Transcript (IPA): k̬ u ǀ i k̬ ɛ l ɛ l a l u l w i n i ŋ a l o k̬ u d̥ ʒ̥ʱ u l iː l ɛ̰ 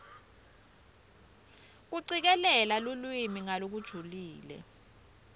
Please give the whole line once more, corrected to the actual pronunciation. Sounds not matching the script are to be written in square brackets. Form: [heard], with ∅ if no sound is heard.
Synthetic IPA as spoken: k̬ u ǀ i k̬ ɛ l ɛ l a l u l w i [m] i ŋ a l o k̬ u d̥ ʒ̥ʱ u l iː l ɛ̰